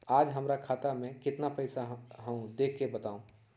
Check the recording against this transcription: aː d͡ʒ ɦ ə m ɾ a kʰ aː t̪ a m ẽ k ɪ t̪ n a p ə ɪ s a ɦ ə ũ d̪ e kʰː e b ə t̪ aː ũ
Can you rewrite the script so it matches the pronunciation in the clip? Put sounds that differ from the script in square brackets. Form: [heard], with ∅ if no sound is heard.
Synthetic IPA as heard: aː d͡ʒ ɦ ə m ɾ a kʰ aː t̪ a m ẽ k ɪ t̪ n a p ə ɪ s a ɦ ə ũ d̪ e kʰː e b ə t̪ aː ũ